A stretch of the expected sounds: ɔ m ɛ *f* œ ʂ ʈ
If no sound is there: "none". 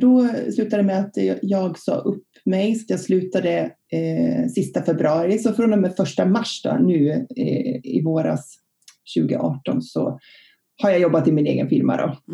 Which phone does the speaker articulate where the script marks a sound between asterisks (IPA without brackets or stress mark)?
f